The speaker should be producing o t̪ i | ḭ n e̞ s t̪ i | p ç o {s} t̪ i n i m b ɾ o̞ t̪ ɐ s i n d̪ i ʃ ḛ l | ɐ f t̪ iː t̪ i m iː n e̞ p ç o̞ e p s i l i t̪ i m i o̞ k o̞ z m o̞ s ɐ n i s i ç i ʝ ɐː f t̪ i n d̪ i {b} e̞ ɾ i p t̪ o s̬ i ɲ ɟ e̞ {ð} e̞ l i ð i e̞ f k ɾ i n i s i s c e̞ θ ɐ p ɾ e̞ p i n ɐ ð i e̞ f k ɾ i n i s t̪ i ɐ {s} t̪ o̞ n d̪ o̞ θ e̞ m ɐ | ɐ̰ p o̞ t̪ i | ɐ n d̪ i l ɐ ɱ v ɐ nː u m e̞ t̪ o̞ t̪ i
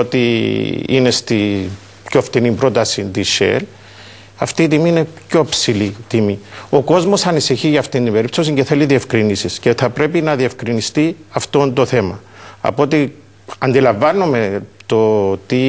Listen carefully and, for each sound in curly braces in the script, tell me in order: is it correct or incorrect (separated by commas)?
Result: incorrect, correct, incorrect, incorrect